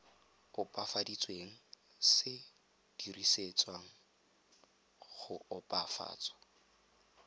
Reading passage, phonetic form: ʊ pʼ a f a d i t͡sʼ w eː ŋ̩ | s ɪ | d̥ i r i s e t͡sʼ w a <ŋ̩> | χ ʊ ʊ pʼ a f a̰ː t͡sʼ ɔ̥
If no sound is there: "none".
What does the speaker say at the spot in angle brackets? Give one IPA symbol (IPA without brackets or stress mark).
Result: ŋ̩